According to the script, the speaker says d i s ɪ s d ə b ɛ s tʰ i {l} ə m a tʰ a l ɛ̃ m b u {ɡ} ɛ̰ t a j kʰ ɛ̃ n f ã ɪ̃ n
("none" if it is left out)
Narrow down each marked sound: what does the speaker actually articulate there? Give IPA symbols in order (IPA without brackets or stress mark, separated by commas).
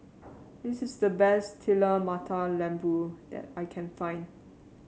l, d